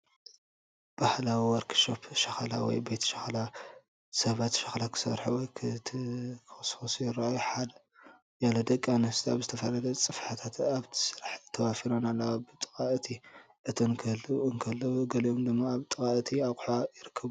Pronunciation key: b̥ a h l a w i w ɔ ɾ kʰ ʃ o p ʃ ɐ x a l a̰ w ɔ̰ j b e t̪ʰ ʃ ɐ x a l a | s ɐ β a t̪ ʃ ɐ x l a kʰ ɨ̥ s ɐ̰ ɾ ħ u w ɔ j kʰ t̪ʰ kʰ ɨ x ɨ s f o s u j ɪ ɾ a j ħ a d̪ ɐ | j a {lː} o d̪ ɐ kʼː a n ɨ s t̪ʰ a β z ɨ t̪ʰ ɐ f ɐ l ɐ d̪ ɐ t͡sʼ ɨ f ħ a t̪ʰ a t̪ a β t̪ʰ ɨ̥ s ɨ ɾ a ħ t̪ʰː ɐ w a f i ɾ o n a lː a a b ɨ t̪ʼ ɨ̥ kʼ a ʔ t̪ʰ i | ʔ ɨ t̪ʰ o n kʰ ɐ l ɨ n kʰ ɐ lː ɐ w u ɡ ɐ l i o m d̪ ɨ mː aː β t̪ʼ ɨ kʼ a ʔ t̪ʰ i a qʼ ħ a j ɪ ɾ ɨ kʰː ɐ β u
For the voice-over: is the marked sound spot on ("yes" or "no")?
no